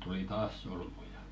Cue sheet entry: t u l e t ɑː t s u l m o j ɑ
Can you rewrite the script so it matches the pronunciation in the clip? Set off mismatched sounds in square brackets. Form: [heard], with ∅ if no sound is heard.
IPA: t u l [i] t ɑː [s] s [o] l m [u] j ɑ